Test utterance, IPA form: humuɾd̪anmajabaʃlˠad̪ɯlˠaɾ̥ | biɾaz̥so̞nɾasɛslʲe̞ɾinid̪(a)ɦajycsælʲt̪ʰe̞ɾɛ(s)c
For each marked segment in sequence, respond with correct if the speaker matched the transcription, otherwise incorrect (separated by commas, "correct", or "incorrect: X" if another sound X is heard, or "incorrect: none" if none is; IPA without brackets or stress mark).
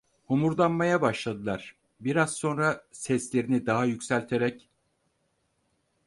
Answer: correct, incorrect: none